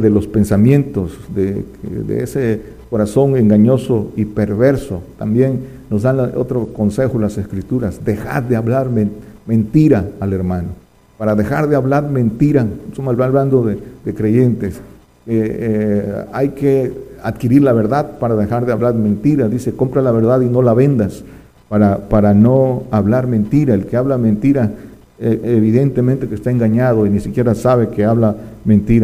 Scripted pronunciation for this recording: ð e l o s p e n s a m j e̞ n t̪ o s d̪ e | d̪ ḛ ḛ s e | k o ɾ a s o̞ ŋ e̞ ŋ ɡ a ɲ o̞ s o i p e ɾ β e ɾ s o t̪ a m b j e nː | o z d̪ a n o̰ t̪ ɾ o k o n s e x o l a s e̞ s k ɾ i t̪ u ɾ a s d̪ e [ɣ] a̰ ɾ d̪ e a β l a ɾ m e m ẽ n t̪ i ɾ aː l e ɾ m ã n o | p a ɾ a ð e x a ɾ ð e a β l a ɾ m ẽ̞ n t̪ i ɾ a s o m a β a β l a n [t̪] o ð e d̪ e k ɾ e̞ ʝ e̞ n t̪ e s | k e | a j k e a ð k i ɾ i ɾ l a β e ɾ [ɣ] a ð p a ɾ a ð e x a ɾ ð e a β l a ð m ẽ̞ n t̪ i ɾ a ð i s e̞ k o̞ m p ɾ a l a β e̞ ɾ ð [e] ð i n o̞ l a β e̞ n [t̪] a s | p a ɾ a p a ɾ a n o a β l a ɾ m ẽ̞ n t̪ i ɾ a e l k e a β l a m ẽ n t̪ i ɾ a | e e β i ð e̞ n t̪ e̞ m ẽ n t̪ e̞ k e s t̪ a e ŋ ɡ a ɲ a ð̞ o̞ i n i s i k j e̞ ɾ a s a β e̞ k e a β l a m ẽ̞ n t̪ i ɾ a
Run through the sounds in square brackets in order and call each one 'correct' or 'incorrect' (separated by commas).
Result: incorrect, incorrect, incorrect, incorrect, incorrect